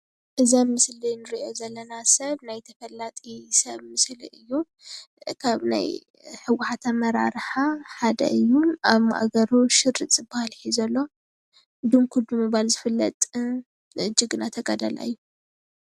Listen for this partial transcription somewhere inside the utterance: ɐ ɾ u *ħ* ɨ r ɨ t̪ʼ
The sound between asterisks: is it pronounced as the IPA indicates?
no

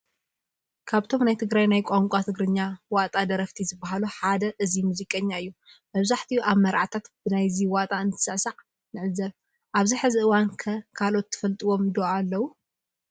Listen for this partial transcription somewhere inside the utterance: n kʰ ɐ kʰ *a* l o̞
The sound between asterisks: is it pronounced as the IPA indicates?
yes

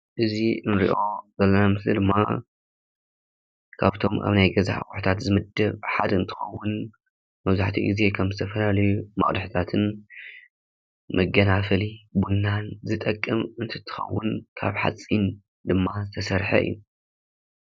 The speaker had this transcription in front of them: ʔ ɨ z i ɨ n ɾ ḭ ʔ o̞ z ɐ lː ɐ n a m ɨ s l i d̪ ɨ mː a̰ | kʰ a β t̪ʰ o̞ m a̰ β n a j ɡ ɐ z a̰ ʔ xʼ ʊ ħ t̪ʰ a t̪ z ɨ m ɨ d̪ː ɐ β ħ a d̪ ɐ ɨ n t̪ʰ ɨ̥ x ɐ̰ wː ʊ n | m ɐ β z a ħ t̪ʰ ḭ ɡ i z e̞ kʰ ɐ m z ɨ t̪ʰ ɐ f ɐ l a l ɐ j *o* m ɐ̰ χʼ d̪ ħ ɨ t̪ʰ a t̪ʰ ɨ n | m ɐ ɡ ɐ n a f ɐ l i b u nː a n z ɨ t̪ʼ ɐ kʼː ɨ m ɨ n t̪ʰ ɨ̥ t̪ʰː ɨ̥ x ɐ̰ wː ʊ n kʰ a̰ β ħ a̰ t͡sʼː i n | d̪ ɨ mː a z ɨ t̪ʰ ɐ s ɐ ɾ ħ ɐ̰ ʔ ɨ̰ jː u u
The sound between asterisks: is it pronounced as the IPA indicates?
no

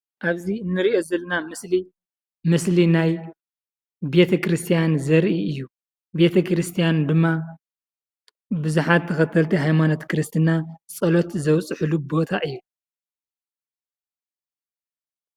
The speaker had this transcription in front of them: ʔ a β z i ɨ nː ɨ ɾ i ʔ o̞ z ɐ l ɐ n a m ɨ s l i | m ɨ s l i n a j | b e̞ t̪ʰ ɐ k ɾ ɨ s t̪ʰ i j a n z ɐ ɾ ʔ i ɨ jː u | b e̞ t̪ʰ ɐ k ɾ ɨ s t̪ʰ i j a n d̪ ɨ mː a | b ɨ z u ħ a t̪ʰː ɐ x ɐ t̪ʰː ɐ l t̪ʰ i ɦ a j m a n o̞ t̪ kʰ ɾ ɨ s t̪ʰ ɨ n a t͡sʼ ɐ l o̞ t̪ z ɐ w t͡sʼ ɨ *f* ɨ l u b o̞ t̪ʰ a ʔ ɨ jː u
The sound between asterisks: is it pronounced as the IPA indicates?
no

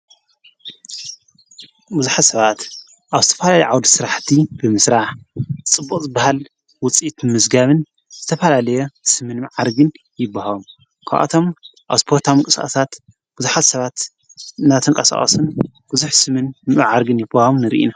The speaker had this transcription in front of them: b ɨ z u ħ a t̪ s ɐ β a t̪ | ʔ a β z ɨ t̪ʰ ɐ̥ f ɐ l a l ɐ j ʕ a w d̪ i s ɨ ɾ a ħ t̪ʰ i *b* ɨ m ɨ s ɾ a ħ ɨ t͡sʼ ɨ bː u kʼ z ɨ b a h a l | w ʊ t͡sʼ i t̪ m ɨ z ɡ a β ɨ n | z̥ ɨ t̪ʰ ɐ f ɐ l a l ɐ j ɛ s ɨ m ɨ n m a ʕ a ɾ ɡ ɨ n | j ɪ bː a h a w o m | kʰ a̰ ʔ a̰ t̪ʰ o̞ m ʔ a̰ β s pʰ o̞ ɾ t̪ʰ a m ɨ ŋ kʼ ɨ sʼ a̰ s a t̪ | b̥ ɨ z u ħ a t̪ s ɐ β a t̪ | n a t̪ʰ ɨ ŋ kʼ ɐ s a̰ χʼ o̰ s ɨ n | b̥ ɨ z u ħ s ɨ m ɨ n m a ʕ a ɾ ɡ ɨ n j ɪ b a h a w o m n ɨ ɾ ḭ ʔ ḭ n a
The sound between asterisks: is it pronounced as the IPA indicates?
yes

